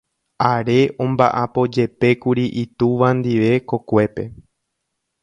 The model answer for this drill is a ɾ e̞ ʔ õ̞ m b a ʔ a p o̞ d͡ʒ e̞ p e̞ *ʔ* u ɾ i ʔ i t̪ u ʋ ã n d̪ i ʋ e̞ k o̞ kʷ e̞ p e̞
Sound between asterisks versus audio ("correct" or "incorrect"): incorrect